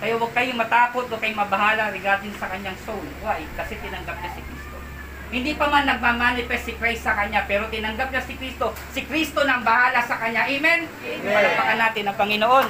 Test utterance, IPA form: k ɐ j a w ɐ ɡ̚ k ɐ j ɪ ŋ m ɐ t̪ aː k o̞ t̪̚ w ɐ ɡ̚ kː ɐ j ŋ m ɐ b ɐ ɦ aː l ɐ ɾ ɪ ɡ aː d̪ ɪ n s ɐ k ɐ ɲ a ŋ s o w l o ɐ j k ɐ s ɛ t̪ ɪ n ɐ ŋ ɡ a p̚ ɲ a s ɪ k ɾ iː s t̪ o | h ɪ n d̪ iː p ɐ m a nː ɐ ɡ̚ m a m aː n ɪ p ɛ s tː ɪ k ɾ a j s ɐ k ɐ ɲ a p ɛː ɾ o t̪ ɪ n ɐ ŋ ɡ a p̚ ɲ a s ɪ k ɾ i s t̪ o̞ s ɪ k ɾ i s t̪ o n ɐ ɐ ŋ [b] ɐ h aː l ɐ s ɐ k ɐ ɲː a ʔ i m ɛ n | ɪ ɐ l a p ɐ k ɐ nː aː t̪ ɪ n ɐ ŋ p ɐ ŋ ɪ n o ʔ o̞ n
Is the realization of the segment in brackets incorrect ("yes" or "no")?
no